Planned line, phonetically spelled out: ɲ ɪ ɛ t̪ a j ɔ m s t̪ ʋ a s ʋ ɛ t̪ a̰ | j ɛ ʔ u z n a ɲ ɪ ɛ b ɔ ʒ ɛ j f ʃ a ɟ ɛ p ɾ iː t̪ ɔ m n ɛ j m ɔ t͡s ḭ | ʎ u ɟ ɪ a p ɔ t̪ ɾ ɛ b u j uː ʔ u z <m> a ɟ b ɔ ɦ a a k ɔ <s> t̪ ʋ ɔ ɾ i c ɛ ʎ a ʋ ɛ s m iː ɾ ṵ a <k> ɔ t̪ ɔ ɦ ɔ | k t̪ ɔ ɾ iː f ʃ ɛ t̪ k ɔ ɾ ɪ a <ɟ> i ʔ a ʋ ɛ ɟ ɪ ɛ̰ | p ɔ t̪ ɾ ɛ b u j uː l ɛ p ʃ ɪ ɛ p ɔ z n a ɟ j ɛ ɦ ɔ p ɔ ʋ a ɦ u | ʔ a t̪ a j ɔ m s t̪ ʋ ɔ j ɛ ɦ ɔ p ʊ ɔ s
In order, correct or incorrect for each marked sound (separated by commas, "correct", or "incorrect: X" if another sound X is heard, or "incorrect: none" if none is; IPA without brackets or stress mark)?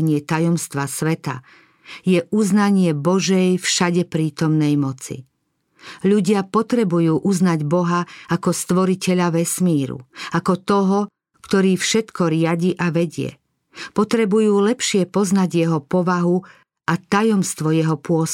incorrect: n, correct, correct, correct